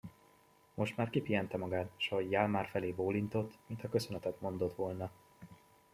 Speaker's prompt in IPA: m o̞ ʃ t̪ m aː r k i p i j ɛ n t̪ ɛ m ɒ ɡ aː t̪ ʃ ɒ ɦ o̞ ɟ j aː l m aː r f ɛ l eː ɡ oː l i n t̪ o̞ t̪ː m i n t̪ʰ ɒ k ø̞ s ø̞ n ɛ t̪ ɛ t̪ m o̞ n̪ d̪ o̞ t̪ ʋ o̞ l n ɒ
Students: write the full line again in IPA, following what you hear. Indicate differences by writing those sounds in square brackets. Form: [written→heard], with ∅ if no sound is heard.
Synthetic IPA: m o̞ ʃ t̪ m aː r k i p i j ɛ n t̪ ɛ m ɒ ɡ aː t̪ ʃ ɒ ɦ o̞ ɟ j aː l m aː r f ɛ l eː [ɡ→b] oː l i n t̪ o̞ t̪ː m i n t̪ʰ ɒ k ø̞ s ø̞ n ɛ t̪ ɛ t̪ m o̞ n̪ d̪ o̞ t̪ ʋ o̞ l n ɒ